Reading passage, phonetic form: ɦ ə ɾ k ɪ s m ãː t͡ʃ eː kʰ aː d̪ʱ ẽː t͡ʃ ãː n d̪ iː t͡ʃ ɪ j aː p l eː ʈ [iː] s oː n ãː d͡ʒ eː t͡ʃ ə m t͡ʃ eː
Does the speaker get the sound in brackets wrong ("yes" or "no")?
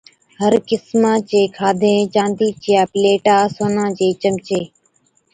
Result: yes